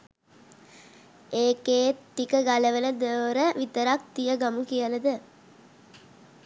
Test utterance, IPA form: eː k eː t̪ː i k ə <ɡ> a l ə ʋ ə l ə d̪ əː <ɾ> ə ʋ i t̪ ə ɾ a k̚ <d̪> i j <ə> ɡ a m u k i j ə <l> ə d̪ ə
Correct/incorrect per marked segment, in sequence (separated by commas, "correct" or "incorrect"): correct, correct, incorrect, correct, correct